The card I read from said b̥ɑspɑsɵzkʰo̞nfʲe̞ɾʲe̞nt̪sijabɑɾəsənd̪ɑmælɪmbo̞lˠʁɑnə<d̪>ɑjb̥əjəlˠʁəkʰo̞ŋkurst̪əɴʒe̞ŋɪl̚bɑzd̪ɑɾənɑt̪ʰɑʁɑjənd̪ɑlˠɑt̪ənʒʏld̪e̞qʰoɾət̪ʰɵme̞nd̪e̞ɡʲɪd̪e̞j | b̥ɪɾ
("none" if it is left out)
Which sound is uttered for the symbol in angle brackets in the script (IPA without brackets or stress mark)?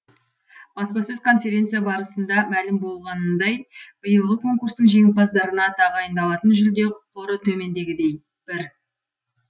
d̪